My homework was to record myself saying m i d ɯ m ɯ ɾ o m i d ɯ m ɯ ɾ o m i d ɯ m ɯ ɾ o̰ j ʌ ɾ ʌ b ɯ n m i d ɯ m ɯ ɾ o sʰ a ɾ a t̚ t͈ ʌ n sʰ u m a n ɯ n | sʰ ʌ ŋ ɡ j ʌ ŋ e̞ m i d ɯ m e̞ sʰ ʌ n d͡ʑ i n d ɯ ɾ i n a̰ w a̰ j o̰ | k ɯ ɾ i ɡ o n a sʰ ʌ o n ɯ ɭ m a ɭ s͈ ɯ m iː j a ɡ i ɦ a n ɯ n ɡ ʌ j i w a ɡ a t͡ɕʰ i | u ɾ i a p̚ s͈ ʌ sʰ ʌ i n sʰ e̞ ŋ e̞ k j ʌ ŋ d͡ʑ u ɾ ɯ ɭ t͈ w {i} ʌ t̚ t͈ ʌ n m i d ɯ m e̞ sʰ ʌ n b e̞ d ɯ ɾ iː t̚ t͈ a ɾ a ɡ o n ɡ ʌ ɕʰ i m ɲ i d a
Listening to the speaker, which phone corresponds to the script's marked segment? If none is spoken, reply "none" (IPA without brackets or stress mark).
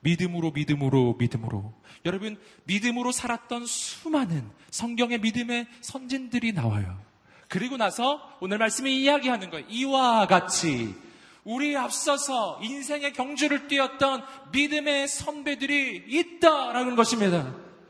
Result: i